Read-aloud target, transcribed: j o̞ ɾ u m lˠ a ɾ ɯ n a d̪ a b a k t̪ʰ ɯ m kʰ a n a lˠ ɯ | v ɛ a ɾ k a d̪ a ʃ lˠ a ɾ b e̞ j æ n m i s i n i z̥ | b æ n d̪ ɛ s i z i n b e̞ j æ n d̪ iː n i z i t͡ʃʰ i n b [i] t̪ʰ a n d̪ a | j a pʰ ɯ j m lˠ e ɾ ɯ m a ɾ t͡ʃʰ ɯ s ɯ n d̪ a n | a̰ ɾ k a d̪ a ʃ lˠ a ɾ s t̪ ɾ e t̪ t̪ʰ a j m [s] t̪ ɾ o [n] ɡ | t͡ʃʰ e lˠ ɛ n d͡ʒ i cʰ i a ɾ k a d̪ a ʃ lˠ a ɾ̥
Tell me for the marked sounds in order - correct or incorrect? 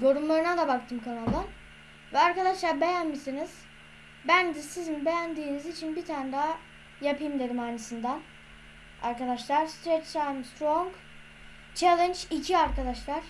correct, correct, incorrect

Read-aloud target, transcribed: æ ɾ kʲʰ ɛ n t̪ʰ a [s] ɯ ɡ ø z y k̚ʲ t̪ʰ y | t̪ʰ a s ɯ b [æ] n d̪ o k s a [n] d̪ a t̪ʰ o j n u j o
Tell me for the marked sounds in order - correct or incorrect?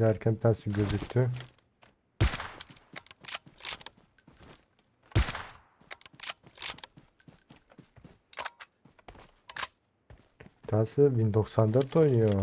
correct, incorrect, correct

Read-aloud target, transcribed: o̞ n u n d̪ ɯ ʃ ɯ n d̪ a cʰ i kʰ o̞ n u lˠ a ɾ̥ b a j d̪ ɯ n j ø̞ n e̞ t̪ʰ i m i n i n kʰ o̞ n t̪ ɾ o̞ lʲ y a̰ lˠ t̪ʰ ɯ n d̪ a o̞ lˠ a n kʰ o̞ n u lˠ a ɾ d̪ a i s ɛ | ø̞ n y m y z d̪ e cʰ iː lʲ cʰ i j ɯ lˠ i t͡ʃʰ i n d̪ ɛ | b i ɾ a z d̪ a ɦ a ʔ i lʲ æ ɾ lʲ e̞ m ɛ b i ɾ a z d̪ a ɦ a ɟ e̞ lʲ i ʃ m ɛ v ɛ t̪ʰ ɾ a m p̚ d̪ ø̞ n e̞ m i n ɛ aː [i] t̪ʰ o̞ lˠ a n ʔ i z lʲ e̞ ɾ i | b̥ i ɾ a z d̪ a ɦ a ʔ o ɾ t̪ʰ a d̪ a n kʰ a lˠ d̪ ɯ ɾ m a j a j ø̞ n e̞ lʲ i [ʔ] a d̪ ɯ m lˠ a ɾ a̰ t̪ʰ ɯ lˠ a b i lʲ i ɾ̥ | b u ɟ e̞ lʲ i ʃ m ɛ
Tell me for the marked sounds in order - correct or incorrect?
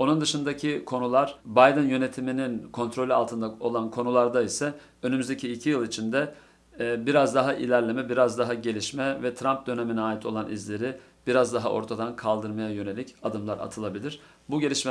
correct, incorrect

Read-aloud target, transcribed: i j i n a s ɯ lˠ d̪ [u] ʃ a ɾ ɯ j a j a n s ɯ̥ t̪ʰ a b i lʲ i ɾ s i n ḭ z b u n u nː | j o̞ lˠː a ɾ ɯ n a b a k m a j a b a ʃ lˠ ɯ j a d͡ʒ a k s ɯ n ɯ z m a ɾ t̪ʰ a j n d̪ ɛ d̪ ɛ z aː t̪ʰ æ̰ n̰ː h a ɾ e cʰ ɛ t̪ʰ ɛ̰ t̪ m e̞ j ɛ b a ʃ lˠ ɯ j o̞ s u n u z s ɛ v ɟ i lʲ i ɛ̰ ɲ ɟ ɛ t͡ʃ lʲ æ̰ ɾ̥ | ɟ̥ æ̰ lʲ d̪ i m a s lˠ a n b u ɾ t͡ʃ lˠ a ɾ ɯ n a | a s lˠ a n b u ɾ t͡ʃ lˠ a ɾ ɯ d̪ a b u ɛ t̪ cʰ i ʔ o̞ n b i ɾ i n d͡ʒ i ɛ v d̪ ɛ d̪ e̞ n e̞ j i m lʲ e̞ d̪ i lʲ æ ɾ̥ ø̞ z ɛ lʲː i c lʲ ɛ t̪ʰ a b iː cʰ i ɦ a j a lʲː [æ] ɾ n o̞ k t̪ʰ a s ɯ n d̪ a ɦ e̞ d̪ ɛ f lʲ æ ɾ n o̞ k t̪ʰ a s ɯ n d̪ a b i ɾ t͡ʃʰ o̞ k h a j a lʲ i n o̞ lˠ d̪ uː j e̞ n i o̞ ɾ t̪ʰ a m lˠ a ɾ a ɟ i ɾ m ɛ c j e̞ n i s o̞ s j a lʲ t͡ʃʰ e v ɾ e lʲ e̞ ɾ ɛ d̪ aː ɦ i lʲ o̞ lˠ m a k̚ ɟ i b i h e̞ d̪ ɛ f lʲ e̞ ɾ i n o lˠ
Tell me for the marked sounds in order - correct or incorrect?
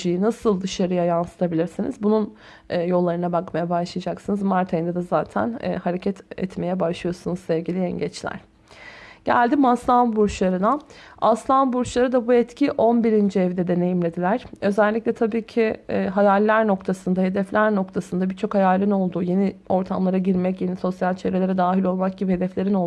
incorrect, correct

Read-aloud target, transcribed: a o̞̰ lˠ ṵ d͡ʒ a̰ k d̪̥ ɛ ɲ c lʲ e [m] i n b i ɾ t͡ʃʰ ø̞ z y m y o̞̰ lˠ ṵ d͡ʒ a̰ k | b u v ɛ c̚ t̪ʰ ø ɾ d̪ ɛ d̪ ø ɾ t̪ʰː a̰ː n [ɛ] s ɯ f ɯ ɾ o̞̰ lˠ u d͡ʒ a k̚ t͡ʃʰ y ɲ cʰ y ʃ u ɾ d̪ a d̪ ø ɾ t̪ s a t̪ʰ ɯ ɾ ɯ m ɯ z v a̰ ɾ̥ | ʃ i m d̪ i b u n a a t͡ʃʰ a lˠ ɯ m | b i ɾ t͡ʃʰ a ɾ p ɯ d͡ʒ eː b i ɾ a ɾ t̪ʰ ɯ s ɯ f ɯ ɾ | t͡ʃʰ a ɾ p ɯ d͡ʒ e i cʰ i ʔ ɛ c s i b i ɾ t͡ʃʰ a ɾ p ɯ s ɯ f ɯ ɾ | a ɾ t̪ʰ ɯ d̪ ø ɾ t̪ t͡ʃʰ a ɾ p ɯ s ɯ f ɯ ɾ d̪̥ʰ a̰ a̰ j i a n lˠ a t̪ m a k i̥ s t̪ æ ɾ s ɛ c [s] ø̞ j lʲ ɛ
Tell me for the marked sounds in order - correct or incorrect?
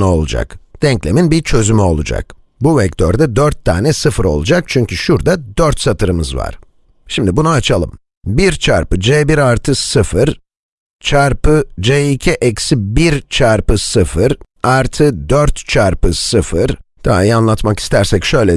correct, correct, incorrect

